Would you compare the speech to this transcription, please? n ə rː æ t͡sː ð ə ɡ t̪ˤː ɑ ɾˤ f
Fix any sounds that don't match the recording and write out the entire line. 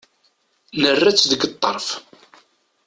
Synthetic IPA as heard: n ə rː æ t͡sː ð ə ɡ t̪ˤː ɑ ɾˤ f